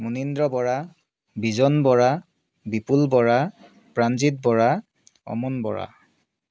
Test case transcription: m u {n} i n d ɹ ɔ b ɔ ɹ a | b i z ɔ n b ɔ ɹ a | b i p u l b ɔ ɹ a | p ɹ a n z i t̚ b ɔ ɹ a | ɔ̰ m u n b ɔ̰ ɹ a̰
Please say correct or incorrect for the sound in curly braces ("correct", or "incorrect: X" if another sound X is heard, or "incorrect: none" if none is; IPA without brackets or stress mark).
correct